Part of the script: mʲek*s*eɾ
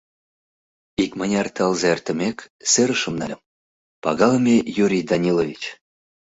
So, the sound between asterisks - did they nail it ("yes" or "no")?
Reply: yes